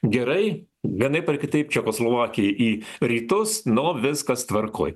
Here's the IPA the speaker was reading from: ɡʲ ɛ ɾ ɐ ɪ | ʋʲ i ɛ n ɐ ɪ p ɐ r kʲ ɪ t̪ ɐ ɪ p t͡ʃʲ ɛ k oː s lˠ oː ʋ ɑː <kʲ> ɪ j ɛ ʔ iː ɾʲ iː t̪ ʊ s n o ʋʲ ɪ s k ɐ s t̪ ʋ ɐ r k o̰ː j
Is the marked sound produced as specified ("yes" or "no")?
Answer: yes